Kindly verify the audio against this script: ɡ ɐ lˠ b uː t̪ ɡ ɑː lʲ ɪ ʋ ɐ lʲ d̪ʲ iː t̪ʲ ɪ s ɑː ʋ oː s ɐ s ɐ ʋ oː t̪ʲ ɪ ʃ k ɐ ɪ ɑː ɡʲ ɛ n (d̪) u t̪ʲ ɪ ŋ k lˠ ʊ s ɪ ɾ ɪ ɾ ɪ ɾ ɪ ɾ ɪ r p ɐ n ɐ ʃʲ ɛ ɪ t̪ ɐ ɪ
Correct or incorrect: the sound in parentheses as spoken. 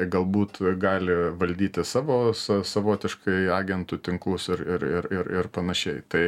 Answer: incorrect: t̪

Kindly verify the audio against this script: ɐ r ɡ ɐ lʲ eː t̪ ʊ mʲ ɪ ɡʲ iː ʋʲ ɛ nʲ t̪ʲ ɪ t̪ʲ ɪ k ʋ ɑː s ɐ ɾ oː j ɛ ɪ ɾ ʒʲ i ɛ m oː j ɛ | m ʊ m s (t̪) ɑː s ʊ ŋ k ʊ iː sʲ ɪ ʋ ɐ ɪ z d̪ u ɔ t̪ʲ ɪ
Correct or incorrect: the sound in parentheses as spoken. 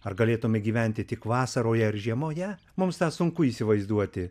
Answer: correct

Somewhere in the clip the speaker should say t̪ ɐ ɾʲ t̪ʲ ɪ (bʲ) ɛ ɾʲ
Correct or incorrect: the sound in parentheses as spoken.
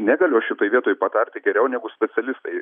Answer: incorrect: ɡʲ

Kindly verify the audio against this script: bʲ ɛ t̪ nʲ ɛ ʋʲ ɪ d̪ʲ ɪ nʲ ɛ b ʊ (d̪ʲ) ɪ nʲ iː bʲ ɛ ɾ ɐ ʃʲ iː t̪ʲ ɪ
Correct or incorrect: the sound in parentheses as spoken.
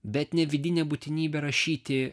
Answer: incorrect: t̪ʲ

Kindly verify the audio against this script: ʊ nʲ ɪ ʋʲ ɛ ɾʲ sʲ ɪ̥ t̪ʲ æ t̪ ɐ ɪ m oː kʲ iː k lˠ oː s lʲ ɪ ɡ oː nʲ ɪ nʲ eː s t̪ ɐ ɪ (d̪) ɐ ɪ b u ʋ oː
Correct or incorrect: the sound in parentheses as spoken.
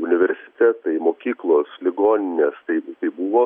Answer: incorrect: t̪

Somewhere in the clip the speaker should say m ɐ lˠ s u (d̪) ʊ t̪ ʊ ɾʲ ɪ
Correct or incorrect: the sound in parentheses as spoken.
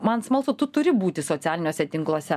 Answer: incorrect: t̪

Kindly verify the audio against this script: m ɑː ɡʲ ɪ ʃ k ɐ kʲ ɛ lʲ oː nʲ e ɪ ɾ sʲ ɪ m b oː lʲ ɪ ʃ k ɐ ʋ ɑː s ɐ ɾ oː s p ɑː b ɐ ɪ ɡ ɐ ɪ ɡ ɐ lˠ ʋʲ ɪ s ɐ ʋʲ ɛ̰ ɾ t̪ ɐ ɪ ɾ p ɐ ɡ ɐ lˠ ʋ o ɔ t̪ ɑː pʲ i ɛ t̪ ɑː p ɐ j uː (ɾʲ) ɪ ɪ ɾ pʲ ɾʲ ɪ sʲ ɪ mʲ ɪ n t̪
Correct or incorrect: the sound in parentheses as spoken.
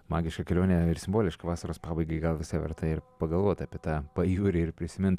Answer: correct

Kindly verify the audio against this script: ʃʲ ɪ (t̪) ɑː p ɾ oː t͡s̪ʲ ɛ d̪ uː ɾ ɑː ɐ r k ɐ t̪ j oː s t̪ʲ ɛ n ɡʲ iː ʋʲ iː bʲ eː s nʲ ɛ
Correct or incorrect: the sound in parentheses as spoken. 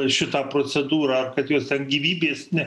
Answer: correct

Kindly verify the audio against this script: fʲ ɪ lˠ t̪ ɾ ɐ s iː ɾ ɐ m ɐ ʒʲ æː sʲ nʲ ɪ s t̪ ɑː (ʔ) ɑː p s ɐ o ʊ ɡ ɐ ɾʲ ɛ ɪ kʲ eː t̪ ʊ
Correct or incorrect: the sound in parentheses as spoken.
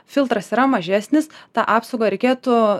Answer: correct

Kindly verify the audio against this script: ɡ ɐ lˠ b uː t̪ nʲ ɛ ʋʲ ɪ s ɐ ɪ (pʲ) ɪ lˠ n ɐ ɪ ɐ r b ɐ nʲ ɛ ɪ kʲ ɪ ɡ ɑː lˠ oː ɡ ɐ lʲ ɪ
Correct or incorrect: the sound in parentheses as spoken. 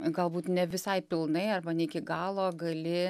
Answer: correct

